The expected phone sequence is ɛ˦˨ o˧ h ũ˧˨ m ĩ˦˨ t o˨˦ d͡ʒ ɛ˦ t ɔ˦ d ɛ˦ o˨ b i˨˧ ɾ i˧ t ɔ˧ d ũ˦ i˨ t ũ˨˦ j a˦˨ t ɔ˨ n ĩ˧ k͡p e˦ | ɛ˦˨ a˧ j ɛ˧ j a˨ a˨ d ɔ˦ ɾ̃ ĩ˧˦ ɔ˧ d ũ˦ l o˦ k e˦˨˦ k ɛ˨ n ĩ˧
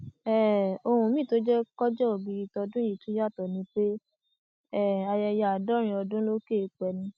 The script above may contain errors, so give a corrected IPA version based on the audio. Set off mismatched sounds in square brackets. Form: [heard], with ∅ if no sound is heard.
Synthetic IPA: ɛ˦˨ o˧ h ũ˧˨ m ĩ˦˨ t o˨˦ d͡ʒ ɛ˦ [k] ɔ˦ [d͡ʒ] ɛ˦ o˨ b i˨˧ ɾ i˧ t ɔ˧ d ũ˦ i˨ t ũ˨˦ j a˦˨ t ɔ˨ n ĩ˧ k͡p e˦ | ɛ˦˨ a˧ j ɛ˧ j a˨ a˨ d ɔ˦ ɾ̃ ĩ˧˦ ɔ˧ d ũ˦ l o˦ k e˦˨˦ [k͡p] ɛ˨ n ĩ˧